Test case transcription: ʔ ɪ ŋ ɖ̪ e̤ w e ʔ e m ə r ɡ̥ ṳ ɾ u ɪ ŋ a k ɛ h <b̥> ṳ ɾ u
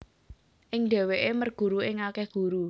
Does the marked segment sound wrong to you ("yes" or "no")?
yes